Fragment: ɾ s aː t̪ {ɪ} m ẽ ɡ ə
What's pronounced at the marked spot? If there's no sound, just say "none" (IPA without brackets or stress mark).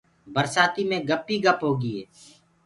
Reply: i